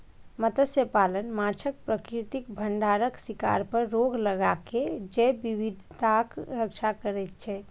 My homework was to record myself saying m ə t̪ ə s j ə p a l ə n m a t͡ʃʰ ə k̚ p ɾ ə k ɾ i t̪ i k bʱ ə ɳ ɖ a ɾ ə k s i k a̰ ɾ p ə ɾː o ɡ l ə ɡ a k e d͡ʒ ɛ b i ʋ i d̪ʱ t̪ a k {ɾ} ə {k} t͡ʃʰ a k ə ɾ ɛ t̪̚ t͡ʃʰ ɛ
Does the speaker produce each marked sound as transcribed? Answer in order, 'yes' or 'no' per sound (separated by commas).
yes, yes